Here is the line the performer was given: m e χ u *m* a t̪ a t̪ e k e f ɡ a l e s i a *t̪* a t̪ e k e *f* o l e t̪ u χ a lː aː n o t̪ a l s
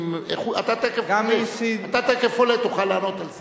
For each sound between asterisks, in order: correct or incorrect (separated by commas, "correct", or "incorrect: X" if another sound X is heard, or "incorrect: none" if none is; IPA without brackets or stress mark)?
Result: incorrect: none, correct, correct